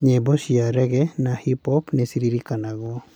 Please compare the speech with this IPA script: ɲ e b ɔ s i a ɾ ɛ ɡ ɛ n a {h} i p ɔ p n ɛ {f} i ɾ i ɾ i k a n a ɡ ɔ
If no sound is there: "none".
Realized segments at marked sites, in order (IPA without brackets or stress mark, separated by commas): h, s